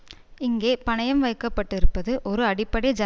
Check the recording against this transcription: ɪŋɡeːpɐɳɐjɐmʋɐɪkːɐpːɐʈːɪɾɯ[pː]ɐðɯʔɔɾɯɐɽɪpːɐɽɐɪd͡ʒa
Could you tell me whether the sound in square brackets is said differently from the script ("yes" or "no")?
no